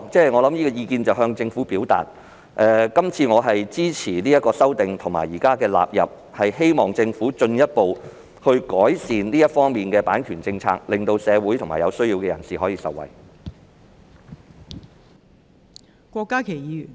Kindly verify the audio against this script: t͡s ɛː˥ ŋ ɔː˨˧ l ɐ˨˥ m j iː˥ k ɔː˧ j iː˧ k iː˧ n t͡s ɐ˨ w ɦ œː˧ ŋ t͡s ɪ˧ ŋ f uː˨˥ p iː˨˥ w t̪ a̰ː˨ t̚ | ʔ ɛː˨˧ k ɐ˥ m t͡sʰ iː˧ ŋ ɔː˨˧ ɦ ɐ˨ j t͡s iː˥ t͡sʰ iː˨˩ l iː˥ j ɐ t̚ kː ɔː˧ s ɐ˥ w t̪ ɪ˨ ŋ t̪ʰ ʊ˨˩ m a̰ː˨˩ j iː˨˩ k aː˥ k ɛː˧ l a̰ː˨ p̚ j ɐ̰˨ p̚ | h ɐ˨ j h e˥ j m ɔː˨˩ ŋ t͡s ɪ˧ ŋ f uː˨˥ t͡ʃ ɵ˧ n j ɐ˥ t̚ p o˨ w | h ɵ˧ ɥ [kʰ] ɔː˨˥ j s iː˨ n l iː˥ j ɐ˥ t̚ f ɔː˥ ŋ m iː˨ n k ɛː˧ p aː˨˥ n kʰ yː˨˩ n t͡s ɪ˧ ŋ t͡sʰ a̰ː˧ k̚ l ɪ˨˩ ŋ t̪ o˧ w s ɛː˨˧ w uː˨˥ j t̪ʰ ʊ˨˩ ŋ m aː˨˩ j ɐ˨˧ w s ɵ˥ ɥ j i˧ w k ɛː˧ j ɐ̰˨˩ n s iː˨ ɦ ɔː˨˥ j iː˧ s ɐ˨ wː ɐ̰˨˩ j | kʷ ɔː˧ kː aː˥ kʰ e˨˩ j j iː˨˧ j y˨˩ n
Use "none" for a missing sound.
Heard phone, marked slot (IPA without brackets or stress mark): k